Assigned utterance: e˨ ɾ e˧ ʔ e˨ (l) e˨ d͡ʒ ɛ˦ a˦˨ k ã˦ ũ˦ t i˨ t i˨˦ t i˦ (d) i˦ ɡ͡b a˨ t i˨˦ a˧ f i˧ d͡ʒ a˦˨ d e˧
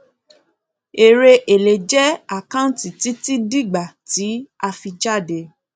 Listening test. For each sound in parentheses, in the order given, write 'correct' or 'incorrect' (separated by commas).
correct, correct